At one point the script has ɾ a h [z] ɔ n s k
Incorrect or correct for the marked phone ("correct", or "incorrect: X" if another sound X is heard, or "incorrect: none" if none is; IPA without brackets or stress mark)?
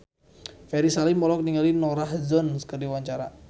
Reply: correct